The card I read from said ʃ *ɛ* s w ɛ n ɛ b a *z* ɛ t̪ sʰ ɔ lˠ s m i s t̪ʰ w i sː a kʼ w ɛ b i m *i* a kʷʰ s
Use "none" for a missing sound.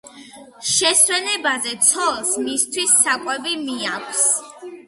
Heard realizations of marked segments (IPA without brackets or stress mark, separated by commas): ɛ, z, i